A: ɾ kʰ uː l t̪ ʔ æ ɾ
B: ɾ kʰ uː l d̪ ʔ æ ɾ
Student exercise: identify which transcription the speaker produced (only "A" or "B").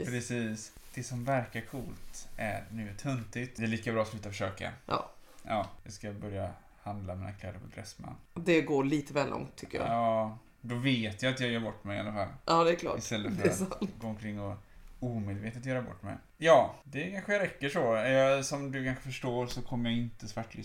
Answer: A